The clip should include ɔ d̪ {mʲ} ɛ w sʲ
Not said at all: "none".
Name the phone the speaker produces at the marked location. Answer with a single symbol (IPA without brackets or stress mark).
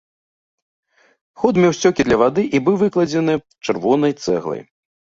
mʲ